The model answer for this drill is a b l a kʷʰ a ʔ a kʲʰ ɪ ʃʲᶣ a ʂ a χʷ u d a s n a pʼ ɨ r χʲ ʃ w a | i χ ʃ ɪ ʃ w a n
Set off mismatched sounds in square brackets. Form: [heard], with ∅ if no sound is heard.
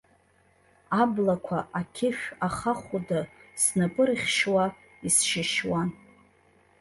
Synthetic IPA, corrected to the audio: a b l a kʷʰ a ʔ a kʲʰ ɪ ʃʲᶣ a [χ] a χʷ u d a s n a pʼ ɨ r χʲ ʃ w a | i [s] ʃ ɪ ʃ w a n